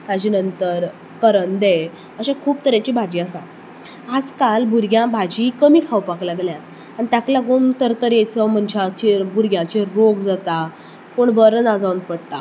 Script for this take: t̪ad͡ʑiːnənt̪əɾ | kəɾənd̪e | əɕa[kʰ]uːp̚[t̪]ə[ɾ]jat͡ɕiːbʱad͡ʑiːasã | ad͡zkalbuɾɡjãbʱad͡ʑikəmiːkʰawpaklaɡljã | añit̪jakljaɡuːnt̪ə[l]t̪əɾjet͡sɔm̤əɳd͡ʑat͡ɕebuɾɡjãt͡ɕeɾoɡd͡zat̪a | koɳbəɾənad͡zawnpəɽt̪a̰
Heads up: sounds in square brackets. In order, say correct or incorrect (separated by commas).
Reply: correct, correct, correct, incorrect